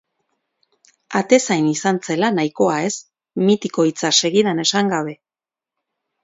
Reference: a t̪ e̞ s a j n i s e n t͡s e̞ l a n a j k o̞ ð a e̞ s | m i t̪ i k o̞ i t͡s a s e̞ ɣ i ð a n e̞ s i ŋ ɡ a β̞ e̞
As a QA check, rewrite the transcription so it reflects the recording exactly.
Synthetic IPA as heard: a t̪ e̞ s a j n i s a n t͡s e̞ l a n a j k o̞ a e̞ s | m i t̪ i k o̞ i t͡s a s e̞ ɣ i ð a n e̞ s a ŋ ɡ a β̞ e̞